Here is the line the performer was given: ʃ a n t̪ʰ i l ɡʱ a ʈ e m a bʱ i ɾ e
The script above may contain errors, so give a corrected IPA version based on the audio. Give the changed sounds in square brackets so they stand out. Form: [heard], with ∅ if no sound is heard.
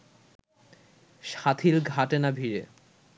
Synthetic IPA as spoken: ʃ a [∅] t̪ʰ i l ɡʱ a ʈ e [n] a bʱ i ɾ e